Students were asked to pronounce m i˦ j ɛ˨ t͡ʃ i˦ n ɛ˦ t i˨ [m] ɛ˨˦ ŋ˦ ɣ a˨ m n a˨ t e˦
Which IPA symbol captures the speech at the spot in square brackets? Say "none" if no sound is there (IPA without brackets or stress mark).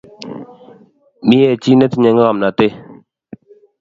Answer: ɲ